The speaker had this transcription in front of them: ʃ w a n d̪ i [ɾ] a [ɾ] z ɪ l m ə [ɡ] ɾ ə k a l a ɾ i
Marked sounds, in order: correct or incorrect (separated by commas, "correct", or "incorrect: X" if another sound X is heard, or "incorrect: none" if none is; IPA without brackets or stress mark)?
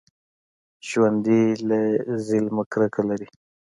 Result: incorrect: l, incorrect: none, incorrect: k